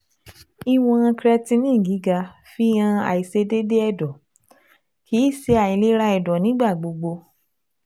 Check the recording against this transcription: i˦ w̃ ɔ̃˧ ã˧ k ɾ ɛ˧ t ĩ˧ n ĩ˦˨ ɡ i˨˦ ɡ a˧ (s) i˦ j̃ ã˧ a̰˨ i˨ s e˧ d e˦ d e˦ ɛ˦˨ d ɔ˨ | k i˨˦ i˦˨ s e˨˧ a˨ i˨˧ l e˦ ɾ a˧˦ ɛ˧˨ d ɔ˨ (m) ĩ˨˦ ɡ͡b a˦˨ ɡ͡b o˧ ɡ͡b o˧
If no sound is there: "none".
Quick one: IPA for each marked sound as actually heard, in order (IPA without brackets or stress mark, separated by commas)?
f, n